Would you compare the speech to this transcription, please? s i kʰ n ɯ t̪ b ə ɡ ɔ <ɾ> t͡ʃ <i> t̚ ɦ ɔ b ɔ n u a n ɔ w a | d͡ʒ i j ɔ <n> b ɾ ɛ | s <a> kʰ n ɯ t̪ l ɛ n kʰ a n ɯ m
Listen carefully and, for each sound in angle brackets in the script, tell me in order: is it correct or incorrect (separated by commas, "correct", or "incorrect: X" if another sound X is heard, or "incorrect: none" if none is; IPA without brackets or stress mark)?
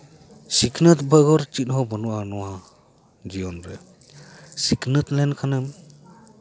correct, correct, correct, incorrect: i